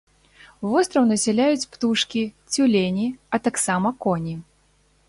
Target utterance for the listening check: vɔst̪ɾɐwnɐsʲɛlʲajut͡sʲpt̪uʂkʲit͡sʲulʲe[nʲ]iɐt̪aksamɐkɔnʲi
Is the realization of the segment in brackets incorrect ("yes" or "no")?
no